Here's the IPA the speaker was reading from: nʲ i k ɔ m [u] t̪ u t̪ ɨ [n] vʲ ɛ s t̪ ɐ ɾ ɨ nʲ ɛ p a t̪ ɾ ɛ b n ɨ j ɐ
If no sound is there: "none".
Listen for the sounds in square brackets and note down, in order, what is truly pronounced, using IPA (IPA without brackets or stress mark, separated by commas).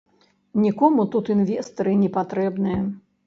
u, n